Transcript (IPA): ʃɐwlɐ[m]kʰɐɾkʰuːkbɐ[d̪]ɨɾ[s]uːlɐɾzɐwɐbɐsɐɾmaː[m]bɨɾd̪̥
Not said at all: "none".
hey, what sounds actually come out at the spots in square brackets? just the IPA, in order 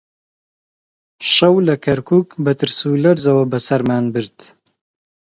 none, t̪, s, n

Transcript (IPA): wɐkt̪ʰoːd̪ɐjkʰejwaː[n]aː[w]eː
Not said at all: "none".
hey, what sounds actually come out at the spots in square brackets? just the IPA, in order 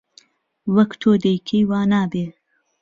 n, b

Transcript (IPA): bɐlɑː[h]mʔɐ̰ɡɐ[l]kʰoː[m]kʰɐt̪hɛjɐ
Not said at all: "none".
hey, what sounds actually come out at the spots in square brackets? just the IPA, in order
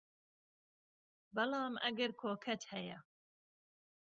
none, ɾ, none

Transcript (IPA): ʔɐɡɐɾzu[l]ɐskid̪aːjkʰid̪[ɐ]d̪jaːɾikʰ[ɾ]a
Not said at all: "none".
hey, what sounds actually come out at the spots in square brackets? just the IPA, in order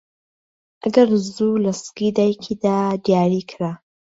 l, a, ɾ

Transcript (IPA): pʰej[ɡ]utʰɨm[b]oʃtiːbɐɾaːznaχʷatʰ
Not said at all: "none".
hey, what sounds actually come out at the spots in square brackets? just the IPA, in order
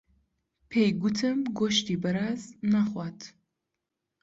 ɡ, ɡ

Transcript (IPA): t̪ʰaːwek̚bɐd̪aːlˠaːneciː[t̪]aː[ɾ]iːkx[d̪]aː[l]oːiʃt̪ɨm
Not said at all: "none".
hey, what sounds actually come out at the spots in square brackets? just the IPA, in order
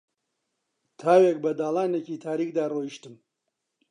t̪ʰ, ɾ, d̪, r

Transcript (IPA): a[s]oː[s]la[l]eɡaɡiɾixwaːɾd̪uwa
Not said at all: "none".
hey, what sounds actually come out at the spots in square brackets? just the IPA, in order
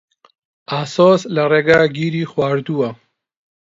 s, s, ɾ

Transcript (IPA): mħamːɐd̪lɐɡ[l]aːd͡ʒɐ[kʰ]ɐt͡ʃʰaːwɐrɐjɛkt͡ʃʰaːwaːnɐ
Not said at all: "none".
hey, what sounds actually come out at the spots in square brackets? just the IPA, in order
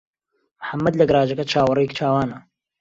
ɾ, k

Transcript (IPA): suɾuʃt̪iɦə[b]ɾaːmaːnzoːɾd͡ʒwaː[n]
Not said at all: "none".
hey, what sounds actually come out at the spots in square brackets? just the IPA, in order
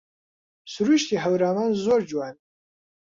w, n

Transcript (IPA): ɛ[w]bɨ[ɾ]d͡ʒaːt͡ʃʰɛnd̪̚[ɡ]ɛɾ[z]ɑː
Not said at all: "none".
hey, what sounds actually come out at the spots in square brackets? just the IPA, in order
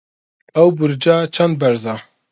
w, ɾ, b, z

